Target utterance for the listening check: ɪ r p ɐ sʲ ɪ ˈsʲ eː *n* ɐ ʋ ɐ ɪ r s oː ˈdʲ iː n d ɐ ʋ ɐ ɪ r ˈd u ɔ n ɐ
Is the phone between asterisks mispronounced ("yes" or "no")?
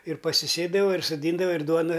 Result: yes